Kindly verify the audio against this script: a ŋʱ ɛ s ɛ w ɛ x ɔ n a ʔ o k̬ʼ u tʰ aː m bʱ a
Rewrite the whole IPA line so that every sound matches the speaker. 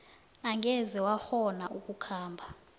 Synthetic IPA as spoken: a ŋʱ ɛ z ɛ w a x ɔ n a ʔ u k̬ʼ u kʰ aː m bʱ a